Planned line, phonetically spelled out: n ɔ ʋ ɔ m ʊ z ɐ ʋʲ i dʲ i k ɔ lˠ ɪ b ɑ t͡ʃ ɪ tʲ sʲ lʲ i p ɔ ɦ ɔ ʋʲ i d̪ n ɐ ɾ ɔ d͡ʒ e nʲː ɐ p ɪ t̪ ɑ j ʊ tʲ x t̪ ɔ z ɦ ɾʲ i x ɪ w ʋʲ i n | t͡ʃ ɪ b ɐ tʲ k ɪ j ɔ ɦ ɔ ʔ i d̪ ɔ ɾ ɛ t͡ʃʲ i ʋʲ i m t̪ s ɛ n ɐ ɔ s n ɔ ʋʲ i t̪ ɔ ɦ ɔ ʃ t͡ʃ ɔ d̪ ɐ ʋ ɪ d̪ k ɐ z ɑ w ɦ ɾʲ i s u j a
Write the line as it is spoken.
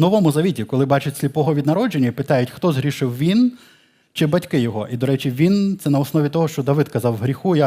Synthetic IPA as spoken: n ɔ ʋ ɔ m ʊ z ɐ ʋʲ i tʲ i k ɔ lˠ ɪ b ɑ t͡ʃ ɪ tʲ sʲ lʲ i p ɔ ɦ ɔ ʋʲ i d̪ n ɐ ɾ ɔ d͡ʒ e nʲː ɐ p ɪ t̪ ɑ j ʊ tʲ x t̪ ɔ z ɦ ɾʲ i ʃ ɪ w ʋʲ i n | t͡ʃ ɪ b ɐ tʲ k ɪ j ɔ ɦ ɔ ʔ i d̪ ɔ ɾ ɛ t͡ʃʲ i ʋʲ i n t̪ s ɛ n ɐ ɔ s n ɔ ʋʲ i t̪ ɔ ɦ ɔ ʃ t͡ʃ ɔ d̪ ɐ ʋ ɪ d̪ k ɐ z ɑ w ɦ ɾʲ i x u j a